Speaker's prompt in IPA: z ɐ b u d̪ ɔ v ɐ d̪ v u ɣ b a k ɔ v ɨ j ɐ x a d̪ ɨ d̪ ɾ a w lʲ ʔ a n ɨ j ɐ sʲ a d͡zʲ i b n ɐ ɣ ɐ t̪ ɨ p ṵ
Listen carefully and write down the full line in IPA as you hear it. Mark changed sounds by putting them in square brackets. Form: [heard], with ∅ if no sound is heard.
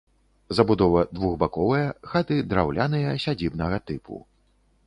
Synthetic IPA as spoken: z ɐ b u d̪ ɔ v ɐ d̪ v u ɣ b a k ɔ v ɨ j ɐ x a [t̪] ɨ d̪ ɾ a w lʲ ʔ a n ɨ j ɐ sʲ a d͡zʲ i b n ɐ ɣ ɐ t̪ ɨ p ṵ